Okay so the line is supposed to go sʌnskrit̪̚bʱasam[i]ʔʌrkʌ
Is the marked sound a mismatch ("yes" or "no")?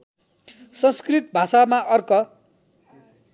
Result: yes